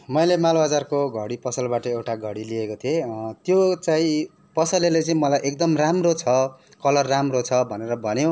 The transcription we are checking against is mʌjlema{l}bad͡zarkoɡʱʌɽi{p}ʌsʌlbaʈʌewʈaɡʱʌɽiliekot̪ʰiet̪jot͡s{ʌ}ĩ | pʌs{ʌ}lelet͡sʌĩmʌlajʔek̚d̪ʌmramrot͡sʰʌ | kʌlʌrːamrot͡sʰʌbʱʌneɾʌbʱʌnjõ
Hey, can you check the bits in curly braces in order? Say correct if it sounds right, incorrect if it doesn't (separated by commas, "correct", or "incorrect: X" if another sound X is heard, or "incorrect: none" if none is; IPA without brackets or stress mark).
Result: correct, correct, incorrect: a, correct